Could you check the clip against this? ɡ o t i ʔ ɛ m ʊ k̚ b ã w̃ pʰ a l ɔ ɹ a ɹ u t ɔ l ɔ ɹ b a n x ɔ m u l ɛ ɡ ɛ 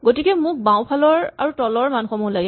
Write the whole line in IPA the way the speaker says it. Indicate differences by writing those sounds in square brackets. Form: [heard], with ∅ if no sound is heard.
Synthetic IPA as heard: ɡ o t i [k] ɛ m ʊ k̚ b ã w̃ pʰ a l ɔ ɹ a ɹ u t ɔ l ɔ ɹ [m] a n x ɔ m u l [a] ɡ ɛ